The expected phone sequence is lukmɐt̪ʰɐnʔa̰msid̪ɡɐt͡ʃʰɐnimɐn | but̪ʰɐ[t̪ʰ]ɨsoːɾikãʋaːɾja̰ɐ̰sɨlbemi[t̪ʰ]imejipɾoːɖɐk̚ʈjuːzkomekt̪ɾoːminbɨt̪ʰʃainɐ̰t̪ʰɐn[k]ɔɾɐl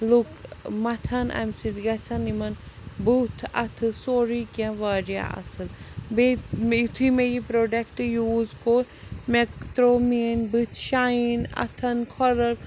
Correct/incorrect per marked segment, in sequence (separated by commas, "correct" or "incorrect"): correct, correct, incorrect